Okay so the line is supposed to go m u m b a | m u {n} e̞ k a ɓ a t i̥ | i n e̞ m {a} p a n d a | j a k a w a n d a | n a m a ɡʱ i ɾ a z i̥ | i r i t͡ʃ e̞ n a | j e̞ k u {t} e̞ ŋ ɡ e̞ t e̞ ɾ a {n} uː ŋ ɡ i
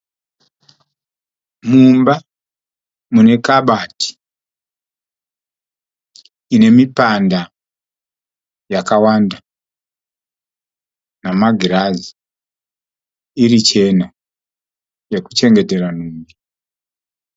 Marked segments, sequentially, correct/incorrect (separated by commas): correct, incorrect, incorrect, correct